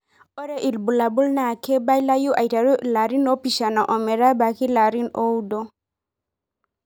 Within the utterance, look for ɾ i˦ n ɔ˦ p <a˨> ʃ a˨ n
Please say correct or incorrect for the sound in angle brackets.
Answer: incorrect